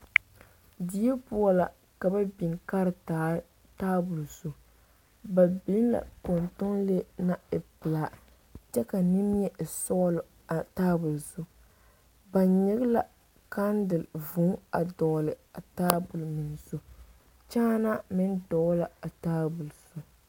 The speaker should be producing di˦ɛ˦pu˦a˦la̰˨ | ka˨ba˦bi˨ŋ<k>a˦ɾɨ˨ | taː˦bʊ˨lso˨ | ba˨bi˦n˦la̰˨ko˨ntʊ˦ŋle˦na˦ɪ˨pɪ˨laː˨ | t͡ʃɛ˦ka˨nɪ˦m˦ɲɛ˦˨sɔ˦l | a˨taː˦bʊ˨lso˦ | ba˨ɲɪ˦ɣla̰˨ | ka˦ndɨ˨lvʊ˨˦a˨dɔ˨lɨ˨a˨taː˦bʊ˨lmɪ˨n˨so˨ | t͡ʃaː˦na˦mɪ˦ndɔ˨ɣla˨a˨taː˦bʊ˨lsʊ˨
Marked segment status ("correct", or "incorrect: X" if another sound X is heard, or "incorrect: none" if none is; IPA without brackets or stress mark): correct